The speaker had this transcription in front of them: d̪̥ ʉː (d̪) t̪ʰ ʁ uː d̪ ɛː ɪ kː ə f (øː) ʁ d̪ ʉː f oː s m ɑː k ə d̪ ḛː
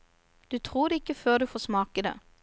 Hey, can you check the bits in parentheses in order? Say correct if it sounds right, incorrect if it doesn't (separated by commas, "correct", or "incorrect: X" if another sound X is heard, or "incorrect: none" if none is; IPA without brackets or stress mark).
incorrect: none, correct